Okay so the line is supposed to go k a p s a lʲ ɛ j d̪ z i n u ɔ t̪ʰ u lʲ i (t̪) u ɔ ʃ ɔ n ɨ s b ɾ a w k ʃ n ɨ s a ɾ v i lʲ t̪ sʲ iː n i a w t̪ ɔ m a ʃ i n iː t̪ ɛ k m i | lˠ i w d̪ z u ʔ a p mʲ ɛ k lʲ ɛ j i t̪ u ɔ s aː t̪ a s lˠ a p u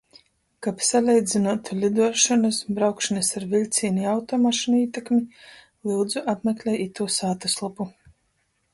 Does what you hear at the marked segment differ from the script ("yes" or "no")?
yes